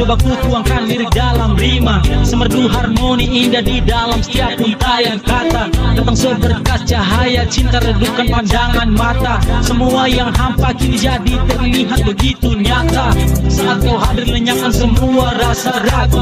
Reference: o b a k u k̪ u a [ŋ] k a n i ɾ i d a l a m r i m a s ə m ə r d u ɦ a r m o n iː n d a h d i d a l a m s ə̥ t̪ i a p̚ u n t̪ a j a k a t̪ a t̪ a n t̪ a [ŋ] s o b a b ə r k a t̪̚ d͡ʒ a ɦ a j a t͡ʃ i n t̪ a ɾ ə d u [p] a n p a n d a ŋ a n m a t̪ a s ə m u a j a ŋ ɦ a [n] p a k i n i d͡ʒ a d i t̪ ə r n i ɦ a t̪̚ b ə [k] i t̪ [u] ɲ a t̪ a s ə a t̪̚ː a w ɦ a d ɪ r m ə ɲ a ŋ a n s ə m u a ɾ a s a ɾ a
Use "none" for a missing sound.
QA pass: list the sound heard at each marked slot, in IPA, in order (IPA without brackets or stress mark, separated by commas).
ŋ, ŋ, k, m, ɡ, u